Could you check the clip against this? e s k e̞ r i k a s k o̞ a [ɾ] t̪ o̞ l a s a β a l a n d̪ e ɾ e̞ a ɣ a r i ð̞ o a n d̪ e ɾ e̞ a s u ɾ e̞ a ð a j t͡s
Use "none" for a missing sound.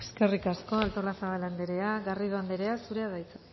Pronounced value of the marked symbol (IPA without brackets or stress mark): l